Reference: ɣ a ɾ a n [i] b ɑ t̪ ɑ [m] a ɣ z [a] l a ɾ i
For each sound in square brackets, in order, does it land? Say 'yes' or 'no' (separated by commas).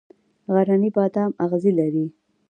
yes, yes, no